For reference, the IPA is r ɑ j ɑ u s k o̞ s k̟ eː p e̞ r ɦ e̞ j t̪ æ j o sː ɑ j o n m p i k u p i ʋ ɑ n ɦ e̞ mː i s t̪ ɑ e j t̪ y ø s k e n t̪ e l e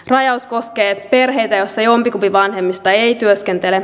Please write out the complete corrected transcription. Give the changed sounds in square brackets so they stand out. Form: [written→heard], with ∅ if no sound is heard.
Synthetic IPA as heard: r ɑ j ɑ u s k o̞ s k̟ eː p e̞ r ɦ e̞ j t̪ æ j o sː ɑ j o [n→∅] m p i k u p i ʋ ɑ n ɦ e̞ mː i s t̪ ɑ e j t̪ y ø s k e n t̪ e l e